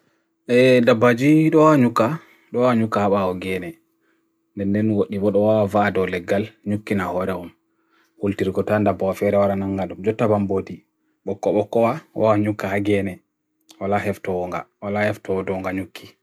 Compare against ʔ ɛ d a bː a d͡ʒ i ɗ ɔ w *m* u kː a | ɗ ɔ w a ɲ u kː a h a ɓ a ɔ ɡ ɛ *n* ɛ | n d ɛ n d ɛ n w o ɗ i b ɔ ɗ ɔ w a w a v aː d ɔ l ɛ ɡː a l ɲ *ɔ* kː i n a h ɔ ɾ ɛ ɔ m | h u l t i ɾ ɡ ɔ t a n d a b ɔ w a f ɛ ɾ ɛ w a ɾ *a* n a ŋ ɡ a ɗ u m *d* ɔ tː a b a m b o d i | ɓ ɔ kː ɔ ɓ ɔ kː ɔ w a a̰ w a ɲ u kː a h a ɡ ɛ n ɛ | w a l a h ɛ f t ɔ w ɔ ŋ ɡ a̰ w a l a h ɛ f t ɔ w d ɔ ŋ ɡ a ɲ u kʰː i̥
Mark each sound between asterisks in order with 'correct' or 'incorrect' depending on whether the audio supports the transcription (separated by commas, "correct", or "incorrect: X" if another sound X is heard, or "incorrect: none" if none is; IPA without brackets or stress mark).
incorrect: ɲ, correct, incorrect: u, correct, incorrect: d͡ʒ